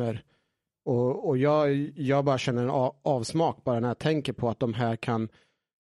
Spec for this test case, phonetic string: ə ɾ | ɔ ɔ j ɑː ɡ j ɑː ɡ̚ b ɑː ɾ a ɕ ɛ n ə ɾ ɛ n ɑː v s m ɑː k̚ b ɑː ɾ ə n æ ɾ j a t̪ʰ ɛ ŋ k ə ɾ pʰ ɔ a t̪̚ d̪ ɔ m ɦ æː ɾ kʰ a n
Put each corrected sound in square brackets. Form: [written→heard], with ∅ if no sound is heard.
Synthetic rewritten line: ə ɾ | ɔ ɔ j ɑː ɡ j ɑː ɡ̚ b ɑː ɾ a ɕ ɛ [n→nː] ə ɾ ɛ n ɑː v s m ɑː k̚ b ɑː ɾ [ə→a] n æ ɾ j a t̪ʰ ɛ ŋ k ə ɾ pʰ ɔ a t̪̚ d̪ ɔ m ɦ æː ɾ kʰ a n